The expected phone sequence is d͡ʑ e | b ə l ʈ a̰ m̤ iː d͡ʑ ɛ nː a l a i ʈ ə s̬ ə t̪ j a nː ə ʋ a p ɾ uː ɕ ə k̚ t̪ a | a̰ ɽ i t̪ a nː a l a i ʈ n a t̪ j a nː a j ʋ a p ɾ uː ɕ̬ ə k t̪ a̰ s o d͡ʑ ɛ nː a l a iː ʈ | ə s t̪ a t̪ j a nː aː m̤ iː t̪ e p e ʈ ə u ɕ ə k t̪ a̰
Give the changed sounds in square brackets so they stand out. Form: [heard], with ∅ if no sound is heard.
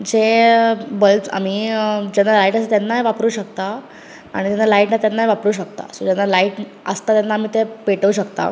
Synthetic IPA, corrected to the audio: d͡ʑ e | b ə l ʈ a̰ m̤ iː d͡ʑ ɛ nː a l a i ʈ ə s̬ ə t̪ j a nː [a] ʋ a p ɾ uː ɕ ə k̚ t̪ a | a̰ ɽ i t̪ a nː a l a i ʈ n a t̪ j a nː a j ʋ a p ɾ uː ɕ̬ ə k t̪ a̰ s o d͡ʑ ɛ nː a l a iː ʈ | ə s t̪ a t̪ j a nː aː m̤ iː t̪ e p e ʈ ə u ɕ ə k t̪ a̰